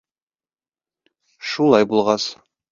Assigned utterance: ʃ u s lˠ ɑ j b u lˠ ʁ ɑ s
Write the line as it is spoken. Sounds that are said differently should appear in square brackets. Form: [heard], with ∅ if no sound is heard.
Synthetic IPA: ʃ u [∅] lˠ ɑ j b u lˠ ʁ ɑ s